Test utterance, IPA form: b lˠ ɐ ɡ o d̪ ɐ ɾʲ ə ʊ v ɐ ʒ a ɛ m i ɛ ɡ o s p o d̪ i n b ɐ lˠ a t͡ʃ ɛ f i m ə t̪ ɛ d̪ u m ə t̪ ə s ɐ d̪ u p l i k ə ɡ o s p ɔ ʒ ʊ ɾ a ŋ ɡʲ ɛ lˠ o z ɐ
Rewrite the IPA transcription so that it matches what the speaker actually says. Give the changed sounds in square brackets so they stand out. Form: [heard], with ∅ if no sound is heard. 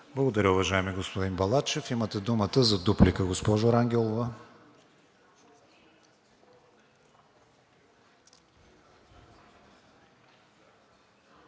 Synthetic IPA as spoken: b lˠ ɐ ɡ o d̪ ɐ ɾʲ ə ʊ v ɐ ʒ a ɛ m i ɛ ɡ o s p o d̪ i n b ɐ lˠ a t͡ʃ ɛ f i m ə t̪ ɛ d̪ u m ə t̪ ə [z] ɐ d̪ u p l i k ə ɡ o s p ɔ ʒ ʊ ɾ a ŋ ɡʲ ɛ lˠ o [v] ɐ